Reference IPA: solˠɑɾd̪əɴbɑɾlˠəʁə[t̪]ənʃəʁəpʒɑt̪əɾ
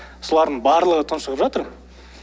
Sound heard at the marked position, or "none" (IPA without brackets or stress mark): t̪ʰ